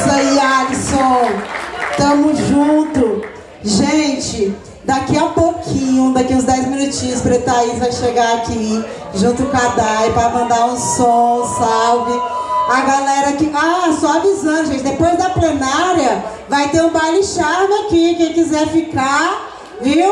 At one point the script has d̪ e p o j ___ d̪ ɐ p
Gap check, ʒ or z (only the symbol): z